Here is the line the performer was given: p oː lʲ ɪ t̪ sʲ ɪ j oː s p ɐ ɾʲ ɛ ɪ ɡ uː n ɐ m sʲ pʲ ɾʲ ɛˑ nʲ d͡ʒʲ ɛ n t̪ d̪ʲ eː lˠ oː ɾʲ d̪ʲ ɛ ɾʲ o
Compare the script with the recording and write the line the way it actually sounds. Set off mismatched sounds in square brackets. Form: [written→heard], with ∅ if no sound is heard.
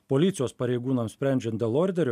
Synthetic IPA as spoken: p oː lʲ ɪ t̪ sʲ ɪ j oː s p ɐ ɾʲ ɛ ɪ ɡ uː n ɐ m sʲ pʲ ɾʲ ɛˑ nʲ d͡ʒʲ ɛ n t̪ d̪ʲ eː lˠ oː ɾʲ d̪ʲ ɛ ɾʲ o

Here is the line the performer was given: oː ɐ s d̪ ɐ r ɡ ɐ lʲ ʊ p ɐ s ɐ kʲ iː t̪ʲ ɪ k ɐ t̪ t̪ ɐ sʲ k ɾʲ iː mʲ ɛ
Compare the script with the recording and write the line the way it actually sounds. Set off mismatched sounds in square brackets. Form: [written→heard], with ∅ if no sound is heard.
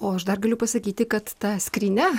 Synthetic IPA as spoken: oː ɐ [s→ʃ] d̪ ɐ r ɡ ɐ lʲ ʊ p ɐ s ɐ kʲ iː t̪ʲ ɪ k ɐ t̪ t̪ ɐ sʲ k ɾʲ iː [mʲ→nʲ] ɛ

